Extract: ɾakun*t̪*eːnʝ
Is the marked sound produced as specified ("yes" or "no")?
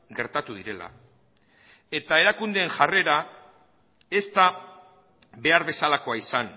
no